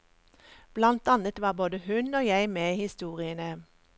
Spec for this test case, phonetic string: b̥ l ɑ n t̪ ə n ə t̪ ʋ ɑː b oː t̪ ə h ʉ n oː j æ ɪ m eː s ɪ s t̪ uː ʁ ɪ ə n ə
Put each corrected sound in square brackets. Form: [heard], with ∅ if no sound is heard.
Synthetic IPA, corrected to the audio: b̥ l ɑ n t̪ [ɑ] n ə t̪ ʋ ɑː b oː [d̪] ə h ʉ n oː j æ ɪ m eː [h] ɪ s t̪ uː ʁ ɪ ə n ə

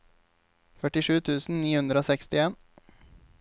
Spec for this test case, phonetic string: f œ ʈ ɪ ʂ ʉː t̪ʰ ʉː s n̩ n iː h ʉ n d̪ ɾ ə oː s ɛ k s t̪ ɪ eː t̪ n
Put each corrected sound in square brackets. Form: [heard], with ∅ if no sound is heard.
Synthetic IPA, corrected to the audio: f œ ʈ ɪ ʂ ʉː t̪ʰ ʉː s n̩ n iː h ʉ n d̪ ɾ ə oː s ɛ k s t̪ ɪ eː [∅] n

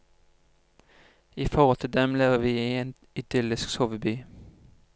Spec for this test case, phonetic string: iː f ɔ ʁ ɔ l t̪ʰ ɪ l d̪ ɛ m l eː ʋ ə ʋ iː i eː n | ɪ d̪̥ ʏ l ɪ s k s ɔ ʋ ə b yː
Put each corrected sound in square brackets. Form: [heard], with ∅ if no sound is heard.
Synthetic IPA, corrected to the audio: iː f ɔ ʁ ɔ l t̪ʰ ɪ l d̪ ɛ m l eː ʋ ə ʋ iː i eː n | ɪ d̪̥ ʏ l ɪ s k s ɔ ʋ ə b yː

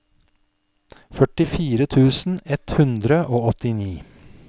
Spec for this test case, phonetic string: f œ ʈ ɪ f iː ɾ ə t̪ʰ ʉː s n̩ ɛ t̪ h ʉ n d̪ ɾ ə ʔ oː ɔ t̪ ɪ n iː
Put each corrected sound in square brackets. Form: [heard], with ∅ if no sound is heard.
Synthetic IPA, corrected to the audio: f œ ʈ ɪ f iː ɾ ə t̪ʰ ʉː s n̩ ɛ t̪ h ʉ n d̪ ɾ ə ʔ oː ɔ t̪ ɪ n iː

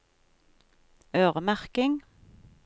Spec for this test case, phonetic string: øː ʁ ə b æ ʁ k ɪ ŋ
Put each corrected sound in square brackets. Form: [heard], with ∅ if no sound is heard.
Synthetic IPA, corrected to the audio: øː ʁ ə [m] æ ʁ k ɪ ŋ

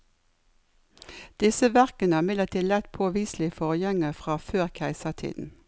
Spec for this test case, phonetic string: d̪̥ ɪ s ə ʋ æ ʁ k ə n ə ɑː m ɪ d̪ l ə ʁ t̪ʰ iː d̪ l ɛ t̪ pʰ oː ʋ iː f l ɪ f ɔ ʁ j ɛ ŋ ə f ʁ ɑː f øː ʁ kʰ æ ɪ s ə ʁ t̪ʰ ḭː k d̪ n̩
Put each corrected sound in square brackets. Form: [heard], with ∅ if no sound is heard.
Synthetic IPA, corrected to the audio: d̪̥ ɪ s ə ʋ æ ʁ k ə n ə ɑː m ɪ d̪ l ə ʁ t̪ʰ iː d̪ l ɛ t̪ pʰ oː ʋ iː [s] l ɪ f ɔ ʁ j ɛ ŋ ə f ʁ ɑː f øː ʁ kʰ æ ɪ s ə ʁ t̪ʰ ḭː [∅] d̪ n̩

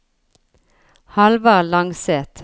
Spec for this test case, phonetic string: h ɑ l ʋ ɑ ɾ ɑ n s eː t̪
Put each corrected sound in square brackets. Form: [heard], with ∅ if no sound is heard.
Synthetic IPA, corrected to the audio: h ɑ l ʋ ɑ [l] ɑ [ŋ] s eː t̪

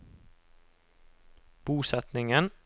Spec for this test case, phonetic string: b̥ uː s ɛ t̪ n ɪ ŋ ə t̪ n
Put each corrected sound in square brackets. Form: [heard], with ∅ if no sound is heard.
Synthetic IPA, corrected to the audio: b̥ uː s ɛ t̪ n ɪ ŋ ə [∅] n

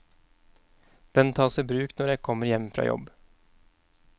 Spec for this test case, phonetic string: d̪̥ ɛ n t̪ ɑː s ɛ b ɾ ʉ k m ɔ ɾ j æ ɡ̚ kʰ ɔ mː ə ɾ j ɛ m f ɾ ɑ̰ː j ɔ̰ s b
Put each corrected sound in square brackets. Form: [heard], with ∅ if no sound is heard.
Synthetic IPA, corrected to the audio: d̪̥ ɛ n [t̪ʰ] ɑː s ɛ b ɾ [ʉː] k [n] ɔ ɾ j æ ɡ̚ kʰ ɔ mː ə ɾ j ɛ m f ɾ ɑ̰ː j ɔ̰ [∅] b

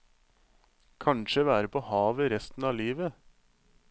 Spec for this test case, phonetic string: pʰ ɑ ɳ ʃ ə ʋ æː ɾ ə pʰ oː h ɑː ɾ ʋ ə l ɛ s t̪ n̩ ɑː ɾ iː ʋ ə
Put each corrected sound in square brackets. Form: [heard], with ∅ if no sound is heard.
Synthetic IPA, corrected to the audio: [kʰ] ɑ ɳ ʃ ə ʋ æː ɾ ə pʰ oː h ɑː [∅] ʋ ə [ɾ] ɛ s t̪ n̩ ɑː [l] iː ʋ ə

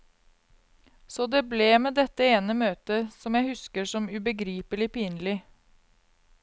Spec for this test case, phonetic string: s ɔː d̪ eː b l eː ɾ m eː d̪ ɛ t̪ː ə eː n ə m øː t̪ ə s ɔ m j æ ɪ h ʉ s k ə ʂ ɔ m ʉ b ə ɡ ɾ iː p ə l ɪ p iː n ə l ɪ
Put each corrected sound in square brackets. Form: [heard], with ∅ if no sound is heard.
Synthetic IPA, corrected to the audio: s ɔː d̪ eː b l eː [∅] m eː d̪ ɛ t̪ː ə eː n ə m øː t̪ ə s ɔ m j æ ɪ h ʉ s k ə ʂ ɔ m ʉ b ə ɡ ɾ iː p ə l ɪ p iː n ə l ɪ

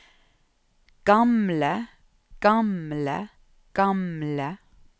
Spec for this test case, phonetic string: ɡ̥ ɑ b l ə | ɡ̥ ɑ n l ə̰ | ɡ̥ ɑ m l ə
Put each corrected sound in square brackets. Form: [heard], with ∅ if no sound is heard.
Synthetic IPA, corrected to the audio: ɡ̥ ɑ [m] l ə | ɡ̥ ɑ [m] l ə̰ | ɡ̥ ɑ m l ə

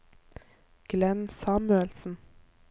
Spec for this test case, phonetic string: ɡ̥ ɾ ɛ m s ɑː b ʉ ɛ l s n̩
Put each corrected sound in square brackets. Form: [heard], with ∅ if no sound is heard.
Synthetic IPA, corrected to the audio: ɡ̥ [l] ɛ [n] s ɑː [m] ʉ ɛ l s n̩

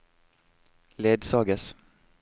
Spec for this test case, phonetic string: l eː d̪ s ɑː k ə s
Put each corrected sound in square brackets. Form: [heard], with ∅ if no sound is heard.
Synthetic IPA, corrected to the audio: l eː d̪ s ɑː [ɡ] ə s

